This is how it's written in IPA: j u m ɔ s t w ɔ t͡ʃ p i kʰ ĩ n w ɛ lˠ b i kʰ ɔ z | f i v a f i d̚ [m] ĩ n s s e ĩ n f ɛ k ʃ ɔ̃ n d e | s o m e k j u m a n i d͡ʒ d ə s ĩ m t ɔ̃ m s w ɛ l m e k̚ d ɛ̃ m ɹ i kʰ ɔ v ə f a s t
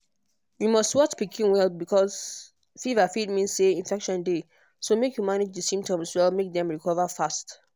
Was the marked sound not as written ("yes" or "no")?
no